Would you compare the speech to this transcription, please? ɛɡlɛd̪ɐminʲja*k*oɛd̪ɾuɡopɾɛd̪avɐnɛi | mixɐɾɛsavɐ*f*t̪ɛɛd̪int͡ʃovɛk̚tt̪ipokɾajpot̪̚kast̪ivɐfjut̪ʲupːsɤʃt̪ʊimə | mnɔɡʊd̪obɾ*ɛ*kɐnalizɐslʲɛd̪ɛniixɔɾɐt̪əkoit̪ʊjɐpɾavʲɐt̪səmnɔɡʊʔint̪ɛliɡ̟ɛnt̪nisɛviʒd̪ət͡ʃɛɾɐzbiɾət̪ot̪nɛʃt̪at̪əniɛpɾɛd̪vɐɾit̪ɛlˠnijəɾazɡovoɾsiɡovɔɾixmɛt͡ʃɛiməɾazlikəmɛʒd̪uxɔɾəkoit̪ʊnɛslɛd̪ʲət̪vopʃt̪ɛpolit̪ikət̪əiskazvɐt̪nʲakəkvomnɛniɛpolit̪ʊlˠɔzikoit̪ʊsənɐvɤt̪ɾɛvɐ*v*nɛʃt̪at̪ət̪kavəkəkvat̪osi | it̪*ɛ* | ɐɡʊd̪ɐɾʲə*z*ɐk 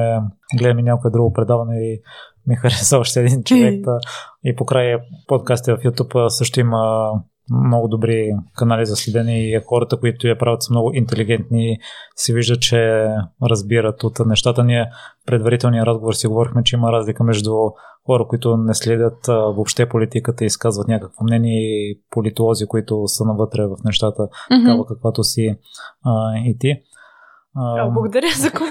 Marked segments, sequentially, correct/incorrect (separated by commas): correct, incorrect, incorrect, incorrect, incorrect, correct